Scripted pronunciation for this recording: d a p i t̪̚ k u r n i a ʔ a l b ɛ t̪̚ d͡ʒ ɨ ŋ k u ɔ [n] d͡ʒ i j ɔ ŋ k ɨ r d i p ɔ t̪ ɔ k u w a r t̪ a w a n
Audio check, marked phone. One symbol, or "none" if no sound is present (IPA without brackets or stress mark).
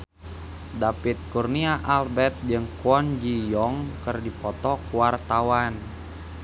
n